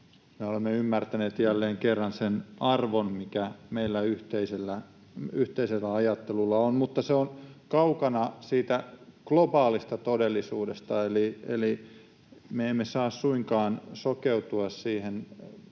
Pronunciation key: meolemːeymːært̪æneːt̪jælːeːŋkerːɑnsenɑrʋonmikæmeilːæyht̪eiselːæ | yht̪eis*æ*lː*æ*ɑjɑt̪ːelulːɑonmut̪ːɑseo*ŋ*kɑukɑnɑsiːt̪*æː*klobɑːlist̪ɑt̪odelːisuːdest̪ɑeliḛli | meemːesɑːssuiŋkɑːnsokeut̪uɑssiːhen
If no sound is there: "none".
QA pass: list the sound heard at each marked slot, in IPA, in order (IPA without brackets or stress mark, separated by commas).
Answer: e, æ, n, æ